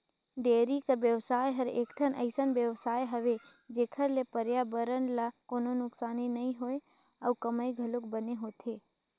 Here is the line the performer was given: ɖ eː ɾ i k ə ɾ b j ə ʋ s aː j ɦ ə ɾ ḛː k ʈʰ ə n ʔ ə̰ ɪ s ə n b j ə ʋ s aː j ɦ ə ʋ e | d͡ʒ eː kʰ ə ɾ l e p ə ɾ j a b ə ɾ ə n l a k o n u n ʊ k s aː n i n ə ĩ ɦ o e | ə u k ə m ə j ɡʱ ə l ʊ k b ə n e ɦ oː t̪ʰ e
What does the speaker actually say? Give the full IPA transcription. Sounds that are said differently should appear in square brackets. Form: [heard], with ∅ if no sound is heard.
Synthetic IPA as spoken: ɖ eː ɾ i k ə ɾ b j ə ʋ s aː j ɦ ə ɾ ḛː k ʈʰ ə n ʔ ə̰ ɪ s ə n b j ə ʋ s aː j ɦ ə ʋ e | d͡ʒ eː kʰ ə ɾ l e p ə ɾ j a b ə ɾ ə n l a k o n [o] n ʊ k s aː n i n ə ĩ ɦ o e | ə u k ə m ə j ɡʱ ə l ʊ k b ə n e ɦ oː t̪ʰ e